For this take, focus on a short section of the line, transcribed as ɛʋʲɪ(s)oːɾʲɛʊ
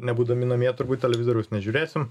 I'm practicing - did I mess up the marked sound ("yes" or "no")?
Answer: yes